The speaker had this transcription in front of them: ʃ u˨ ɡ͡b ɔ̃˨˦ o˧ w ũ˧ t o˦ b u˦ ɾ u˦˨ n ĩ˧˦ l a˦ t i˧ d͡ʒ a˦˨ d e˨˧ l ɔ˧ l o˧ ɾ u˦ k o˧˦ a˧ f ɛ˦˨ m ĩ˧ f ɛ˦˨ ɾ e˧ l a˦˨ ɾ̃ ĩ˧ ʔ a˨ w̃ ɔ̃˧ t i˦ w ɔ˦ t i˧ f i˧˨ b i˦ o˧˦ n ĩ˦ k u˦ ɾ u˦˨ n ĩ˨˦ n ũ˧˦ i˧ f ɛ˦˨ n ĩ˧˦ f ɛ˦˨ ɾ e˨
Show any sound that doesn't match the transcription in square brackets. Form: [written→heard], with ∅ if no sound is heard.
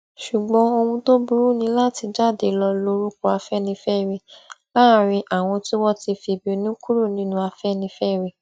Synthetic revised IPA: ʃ u˨ ɡ͡b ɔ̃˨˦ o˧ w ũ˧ t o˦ b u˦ ɾ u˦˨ n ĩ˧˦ l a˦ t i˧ d͡ʒ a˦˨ d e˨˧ l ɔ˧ l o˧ ɾ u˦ k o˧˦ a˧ f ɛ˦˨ [m→n] ĩ˧ f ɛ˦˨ ɾ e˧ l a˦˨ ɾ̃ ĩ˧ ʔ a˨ w̃ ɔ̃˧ t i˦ w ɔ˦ t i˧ f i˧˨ b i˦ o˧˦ n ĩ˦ k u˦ ɾ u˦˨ n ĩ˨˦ n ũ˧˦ [i˧→a˧] f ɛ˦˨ n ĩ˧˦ f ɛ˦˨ ɾ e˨